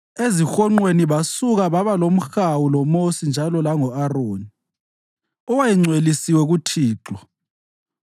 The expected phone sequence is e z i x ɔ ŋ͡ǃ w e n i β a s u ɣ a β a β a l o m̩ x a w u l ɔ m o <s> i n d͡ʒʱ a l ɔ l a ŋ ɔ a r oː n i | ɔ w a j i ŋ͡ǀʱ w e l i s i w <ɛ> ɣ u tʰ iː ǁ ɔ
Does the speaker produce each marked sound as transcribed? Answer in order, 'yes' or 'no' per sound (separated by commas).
yes, yes